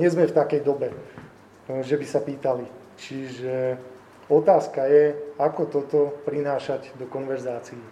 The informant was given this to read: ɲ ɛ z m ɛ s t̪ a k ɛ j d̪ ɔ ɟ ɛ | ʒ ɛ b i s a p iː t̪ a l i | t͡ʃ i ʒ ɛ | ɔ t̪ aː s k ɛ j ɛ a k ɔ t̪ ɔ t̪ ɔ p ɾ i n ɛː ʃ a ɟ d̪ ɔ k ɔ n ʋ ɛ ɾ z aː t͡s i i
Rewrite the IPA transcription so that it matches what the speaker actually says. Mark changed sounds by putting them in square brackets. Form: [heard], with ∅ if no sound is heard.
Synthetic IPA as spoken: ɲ ɛ z m ɛ [f] t̪ a k ɛ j d̪ ɔ [b] ɛ | ʒ ɛ b i s a p iː t̪ a l i | t͡ʃ i ʒ ɛ | ɔ t̪ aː s k [a] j ɛ a k ɔ t̪ ɔ t̪ ɔ p ɾ i n [aː] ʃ a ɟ d̪ ɔ k ɔ n ʋ ɛ ɾ z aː t͡s i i